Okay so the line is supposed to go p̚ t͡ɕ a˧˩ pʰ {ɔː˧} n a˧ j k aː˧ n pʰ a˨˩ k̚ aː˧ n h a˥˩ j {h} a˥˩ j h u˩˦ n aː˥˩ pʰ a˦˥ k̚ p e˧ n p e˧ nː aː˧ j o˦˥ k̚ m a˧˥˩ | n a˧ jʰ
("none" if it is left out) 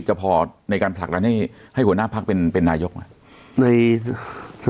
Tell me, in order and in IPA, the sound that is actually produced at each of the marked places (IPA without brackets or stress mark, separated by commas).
ɔː˧, h